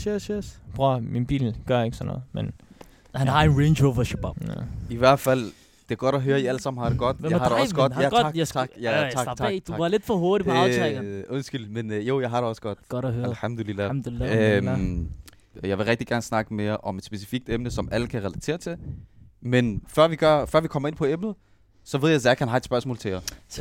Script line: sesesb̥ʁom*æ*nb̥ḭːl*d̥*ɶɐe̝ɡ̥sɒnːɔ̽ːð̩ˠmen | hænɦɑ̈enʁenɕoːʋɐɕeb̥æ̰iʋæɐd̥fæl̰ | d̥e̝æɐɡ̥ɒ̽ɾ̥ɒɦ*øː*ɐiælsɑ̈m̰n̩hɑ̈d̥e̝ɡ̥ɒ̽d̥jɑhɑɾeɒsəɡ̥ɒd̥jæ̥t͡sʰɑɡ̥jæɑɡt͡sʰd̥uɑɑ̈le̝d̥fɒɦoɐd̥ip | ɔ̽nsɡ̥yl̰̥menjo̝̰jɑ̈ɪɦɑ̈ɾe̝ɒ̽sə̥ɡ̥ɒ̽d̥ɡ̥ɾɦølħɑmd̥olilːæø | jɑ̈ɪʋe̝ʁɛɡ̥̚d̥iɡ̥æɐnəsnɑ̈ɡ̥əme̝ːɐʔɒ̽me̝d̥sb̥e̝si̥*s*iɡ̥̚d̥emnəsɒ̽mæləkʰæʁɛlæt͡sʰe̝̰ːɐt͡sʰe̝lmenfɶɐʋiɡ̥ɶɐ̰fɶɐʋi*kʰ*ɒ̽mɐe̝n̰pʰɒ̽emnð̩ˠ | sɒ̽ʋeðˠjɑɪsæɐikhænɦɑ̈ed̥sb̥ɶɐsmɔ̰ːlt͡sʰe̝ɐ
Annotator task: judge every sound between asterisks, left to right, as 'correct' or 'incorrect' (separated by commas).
incorrect, incorrect, correct, incorrect, correct